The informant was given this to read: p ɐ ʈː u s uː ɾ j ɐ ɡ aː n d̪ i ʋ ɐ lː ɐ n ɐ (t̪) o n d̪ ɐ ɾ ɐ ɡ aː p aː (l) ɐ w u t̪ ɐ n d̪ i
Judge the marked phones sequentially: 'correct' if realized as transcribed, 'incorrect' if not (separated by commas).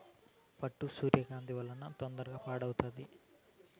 correct, incorrect